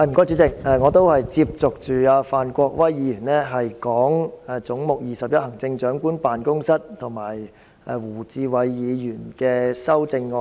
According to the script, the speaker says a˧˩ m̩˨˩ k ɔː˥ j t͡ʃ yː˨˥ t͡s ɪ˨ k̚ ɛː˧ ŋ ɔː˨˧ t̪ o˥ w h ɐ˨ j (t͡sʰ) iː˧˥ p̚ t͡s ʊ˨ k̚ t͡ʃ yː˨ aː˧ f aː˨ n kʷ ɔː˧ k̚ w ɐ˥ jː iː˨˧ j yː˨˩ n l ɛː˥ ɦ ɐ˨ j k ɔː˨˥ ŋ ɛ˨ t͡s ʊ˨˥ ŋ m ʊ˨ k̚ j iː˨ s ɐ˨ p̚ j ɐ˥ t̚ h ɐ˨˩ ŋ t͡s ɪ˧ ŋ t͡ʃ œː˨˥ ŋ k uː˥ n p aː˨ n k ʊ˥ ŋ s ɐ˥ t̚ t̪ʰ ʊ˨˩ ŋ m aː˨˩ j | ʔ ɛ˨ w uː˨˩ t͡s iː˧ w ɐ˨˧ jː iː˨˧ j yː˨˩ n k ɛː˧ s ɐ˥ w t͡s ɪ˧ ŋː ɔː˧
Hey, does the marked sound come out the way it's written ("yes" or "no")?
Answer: no